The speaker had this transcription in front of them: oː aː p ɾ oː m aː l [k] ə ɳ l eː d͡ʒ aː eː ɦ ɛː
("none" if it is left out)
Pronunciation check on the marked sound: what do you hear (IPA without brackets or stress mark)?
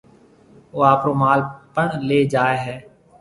p